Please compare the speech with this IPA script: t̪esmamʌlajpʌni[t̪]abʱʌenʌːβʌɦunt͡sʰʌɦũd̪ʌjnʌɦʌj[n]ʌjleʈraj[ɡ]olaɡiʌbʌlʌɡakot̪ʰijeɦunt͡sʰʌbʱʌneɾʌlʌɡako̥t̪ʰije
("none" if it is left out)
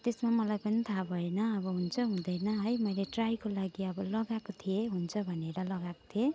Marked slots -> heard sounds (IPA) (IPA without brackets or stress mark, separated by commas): t̪ʰ, m, k